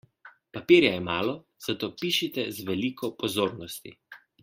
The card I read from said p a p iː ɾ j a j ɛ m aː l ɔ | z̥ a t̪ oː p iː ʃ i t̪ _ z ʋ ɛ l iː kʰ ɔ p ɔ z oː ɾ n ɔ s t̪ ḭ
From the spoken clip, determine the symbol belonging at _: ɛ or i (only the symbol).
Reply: ɛ